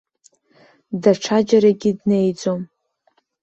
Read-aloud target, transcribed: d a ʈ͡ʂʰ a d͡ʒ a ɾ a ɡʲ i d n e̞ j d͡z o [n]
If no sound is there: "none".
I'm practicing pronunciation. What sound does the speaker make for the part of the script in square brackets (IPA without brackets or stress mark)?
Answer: m